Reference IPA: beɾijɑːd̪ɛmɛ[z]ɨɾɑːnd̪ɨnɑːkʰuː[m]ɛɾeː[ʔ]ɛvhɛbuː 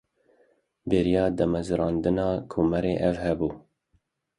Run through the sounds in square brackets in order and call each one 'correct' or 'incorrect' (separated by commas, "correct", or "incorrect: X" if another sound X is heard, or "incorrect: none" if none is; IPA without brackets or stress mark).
correct, correct, correct